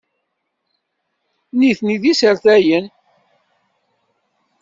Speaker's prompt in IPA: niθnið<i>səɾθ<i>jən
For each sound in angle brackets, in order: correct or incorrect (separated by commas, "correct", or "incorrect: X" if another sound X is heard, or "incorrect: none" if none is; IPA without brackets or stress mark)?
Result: correct, incorrect: æ